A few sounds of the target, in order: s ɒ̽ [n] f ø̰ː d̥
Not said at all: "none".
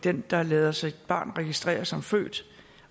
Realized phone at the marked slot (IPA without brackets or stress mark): m